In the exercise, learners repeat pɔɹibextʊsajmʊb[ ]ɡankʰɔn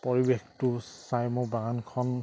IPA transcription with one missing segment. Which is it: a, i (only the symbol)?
a